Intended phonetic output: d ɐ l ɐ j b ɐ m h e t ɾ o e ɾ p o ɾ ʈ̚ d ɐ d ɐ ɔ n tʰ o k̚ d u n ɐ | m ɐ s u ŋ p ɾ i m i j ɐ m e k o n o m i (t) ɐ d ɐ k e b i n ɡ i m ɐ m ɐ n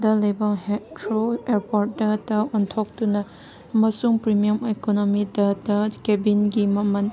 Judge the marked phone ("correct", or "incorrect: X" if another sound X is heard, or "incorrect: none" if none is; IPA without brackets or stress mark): incorrect: d